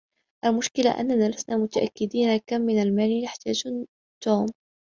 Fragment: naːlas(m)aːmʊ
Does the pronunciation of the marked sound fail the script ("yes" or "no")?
yes